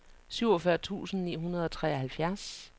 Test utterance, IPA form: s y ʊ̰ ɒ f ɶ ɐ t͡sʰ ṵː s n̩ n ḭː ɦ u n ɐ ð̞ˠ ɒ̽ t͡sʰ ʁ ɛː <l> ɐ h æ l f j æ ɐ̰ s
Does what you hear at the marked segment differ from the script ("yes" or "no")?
yes